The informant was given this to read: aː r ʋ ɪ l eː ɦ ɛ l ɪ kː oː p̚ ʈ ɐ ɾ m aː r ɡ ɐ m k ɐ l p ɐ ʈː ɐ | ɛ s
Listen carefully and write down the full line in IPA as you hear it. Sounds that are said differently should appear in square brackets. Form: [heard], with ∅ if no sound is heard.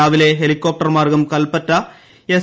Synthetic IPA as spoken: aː [∅] ʋ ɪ l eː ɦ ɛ l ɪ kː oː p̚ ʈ ɐ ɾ m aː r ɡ ɐ m k ɐ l p ɐ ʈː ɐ | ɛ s